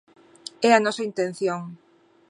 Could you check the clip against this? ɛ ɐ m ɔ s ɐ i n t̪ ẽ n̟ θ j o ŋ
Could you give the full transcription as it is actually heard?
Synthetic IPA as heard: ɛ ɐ n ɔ s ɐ i n t̪ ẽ n̟ θ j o ŋ